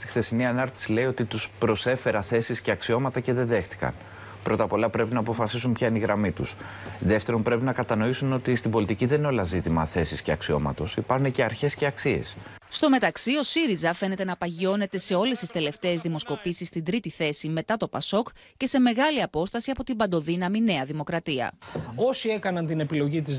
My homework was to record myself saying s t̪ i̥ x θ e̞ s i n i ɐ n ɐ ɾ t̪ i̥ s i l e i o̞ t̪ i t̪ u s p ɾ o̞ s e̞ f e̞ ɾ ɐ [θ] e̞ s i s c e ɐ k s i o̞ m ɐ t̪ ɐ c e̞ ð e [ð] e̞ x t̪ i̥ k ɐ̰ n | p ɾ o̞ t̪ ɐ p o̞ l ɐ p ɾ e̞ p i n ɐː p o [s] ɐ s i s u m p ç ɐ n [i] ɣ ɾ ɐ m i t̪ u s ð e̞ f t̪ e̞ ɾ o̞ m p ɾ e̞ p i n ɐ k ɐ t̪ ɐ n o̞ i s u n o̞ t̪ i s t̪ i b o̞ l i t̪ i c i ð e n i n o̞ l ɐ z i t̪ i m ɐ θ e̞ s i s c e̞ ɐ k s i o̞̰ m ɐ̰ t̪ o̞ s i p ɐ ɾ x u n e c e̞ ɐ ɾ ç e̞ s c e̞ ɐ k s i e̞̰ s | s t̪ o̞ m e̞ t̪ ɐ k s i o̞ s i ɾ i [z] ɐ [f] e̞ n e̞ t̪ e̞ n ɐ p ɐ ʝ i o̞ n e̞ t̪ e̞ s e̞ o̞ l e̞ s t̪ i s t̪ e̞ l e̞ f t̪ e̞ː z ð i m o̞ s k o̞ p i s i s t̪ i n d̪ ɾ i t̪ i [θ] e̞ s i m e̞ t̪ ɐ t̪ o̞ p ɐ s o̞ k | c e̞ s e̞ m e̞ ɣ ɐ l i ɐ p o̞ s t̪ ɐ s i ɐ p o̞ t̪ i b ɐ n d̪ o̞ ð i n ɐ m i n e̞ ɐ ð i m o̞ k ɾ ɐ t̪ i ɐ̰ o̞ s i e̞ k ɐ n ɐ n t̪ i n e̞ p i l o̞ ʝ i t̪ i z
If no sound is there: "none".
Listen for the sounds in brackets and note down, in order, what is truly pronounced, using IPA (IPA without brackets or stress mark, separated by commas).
θ, ð, f, i, z, f, θ